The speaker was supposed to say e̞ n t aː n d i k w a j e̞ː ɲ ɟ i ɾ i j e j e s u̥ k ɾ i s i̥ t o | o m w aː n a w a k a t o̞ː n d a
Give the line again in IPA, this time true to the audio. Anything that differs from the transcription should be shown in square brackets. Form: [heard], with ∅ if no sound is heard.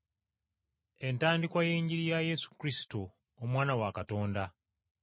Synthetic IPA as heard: e̞ n t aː n d i k w a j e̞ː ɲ ɟ i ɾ i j [a] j e s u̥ k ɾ i s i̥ t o | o m w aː n a w a k a t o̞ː n d a